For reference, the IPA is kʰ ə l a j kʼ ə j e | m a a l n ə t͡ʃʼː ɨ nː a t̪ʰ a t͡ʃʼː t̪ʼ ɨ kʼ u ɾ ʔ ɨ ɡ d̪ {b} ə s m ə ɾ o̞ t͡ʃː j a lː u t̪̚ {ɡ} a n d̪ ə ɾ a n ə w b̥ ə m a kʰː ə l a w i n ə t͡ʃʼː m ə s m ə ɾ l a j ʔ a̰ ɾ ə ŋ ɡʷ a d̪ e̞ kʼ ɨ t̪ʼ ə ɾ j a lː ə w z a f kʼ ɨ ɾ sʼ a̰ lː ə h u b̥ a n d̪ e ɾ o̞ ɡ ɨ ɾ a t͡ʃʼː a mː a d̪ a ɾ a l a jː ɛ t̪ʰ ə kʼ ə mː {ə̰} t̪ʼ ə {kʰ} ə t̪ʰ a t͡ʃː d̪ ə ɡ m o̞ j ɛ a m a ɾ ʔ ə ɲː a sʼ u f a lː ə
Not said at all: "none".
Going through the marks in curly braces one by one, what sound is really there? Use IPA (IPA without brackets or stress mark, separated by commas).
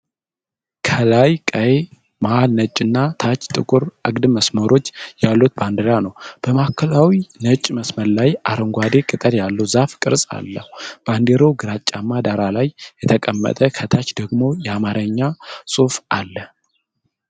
m, b, ə̰, kʰ